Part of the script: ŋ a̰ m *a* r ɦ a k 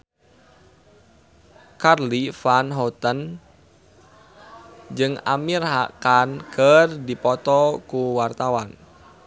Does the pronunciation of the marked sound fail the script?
yes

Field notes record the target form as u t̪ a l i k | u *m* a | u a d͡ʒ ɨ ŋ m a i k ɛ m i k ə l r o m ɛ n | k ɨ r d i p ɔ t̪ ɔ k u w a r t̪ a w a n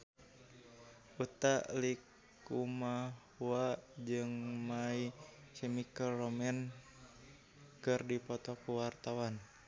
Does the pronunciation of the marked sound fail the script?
no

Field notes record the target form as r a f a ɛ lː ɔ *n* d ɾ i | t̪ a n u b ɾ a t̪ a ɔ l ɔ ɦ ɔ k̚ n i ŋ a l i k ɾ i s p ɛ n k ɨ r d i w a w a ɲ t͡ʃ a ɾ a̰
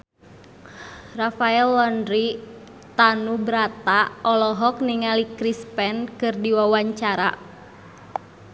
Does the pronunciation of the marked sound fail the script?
no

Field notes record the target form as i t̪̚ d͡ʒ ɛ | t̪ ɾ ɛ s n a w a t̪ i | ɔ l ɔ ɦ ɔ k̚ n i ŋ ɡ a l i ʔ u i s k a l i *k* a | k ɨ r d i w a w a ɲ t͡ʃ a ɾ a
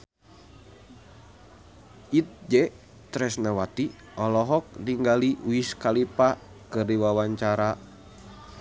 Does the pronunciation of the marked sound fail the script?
yes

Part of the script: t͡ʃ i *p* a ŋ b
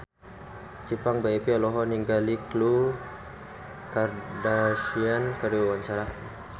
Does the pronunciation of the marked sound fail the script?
no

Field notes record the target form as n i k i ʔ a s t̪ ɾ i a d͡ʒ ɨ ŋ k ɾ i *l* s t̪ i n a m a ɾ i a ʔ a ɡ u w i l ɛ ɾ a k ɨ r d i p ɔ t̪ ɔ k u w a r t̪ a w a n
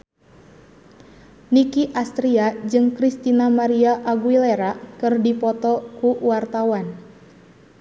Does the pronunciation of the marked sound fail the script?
yes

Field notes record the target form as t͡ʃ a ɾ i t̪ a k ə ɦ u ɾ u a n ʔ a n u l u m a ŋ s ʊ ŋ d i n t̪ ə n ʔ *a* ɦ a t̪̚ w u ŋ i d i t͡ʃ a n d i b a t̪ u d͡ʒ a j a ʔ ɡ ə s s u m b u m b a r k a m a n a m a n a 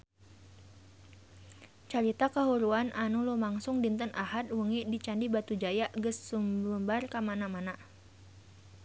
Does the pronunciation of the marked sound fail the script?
no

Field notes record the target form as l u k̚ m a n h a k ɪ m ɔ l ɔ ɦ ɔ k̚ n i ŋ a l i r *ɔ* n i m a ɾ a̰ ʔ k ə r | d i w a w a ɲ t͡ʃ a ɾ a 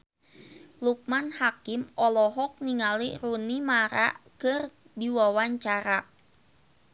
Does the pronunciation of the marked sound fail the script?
yes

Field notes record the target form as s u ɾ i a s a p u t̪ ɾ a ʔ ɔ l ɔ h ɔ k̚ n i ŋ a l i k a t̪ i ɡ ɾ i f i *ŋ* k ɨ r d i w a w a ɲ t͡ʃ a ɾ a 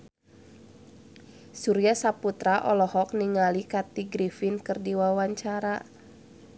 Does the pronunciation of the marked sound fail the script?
yes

